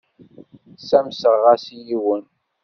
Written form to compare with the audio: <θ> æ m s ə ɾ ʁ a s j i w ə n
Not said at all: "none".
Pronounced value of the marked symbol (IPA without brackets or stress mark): s